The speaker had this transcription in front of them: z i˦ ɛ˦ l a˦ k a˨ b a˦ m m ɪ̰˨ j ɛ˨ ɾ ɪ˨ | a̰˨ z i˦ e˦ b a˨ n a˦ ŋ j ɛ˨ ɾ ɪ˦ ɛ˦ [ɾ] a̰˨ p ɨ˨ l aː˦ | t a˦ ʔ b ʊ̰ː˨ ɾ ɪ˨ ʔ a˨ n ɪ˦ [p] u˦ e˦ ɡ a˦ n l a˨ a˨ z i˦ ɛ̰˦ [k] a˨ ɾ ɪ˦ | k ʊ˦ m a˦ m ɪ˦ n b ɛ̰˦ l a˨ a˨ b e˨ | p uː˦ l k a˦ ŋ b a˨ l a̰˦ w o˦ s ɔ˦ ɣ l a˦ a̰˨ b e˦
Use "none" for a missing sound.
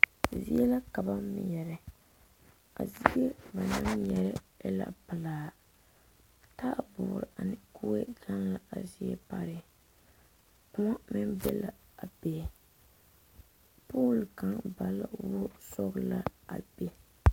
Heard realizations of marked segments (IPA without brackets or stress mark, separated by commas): l, k, p